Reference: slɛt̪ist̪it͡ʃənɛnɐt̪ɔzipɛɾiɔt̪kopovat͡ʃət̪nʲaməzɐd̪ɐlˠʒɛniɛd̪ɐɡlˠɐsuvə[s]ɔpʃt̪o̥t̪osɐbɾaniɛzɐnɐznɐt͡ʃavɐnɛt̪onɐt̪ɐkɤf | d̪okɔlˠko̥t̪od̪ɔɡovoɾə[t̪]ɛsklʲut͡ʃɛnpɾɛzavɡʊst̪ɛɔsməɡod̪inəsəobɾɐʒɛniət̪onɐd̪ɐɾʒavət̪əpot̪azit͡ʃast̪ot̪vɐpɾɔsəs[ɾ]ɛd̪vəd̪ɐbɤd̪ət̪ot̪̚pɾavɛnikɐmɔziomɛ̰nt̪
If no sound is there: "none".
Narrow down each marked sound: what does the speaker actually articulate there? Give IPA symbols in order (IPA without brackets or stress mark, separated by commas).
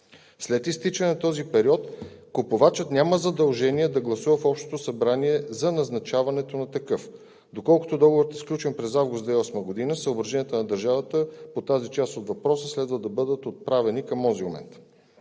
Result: f, t̪, l